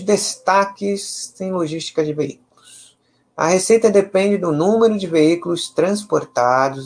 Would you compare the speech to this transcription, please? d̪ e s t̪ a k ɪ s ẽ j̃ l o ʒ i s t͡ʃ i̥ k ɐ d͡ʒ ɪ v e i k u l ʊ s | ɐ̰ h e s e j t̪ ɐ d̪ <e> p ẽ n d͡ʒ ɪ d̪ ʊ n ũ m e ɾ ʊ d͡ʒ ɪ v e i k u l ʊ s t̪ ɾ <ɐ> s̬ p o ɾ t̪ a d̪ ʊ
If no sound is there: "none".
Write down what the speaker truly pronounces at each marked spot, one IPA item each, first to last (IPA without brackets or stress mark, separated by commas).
e, ɐ̃